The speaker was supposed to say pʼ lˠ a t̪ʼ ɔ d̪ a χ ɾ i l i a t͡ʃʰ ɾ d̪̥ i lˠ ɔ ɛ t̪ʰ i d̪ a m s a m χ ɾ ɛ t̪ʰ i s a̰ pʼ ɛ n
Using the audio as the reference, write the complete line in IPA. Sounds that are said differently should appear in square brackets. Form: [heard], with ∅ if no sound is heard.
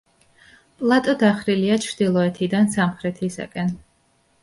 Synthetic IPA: pʼ lˠ a t̪ʼ ɔ d̪ a χ ɾ i l i a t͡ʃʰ ɾ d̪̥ i lˠ ɔ ɛ t̪ʰ i d̪ a [n] s a m χ ɾ ɛ t̪ʰ i s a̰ [kʼ] ɛ n